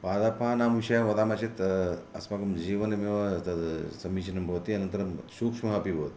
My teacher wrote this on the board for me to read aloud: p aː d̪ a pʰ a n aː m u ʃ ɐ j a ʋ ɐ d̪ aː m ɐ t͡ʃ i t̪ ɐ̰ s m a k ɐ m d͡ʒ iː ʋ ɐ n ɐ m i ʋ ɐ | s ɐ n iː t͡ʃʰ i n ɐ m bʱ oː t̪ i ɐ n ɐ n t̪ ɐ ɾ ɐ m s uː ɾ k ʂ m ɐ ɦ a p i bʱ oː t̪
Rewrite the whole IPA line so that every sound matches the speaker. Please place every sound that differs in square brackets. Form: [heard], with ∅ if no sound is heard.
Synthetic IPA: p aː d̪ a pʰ a n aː m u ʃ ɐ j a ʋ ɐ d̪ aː m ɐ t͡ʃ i t̪ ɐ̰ s m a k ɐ m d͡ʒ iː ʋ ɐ n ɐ m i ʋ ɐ | s ɐ [m] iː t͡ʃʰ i n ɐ m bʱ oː t̪ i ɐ n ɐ n t̪ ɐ ɾ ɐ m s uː [∅] k ʂ m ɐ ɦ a p i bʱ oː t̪

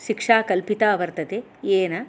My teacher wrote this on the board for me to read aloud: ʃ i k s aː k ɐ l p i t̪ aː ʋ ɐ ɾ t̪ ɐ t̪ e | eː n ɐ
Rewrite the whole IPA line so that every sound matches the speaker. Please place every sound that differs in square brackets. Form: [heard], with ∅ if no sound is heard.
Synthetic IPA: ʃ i k [ʂ] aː k ɐ l p i t̪ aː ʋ ɐ ɾ t̪ ɐ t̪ e | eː n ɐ

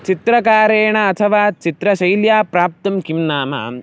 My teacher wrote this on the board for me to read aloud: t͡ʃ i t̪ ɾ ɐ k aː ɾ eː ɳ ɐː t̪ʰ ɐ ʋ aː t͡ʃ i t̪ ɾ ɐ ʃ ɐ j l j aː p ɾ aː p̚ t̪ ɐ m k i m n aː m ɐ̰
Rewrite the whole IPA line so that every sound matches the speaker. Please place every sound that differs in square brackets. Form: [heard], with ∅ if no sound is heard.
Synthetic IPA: t͡ʃ i t̪ ɾ ɐ k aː ɾ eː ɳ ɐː t̪ʰ ɐ ʋ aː t͡ʃ i t̪ ɾ ɐ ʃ ɐ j l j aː p ɾ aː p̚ t̪ ɐ m k i m n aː m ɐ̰

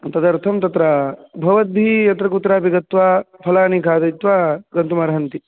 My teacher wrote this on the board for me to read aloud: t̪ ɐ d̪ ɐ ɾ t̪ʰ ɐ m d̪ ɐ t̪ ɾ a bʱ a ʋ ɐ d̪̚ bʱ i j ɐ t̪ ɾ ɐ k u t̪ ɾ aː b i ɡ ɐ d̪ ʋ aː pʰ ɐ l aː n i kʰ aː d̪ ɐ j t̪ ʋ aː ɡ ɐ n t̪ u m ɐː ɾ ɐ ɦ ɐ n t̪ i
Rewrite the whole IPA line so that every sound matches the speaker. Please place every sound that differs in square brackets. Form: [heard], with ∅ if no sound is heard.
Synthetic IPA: t̪ ɐ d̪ ɐ ɾ t̪ʰ ɐ m [t̪] ɐ t̪ ɾ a bʱ [ɐ] ʋ ɐ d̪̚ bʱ i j ɐ t̪ ɾ ɐ k u t̪ ɾ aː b i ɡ ɐ [t̪] ʋ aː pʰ ɐ l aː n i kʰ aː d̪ ɐ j t̪ ʋ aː ɡ ɐ n t̪ u m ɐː ɾ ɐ ɦ ɐ n t̪ i

